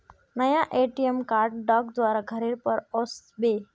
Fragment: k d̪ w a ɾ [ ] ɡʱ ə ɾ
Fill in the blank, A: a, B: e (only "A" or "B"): A